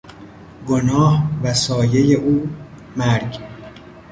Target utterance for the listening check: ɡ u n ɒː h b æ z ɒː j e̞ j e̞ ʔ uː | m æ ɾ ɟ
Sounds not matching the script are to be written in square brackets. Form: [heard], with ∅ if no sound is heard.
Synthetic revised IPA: ɡ [o] n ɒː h [v] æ [s] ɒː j e̞ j e̞ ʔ uː | m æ ɾ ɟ